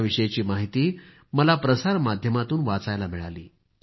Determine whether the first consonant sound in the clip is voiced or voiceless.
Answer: voiced